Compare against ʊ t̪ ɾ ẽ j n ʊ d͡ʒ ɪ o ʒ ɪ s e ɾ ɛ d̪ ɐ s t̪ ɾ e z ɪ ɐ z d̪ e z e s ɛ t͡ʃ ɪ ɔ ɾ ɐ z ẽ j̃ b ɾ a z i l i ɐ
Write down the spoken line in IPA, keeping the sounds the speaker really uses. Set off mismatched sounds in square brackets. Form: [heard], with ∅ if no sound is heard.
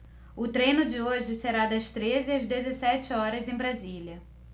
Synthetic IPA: ʊ t̪ ɾ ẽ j n ʊ d͡ʒ ɪ o ʒ ɪ s e ɾ [a] d̪ ɐ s t̪ ɾ e z ɪ ɐ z d̪ e z e s ɛ t͡ʃ ɪ ɔ ɾ ɐ z ẽ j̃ b ɾ a z i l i ɐ